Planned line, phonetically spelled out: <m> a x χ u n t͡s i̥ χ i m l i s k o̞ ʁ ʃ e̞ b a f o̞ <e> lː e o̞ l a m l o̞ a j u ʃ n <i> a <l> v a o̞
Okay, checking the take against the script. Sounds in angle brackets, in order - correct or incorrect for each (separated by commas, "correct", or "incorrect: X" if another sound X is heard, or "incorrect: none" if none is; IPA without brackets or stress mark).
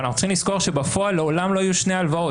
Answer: incorrect: n, incorrect: a, incorrect: e, correct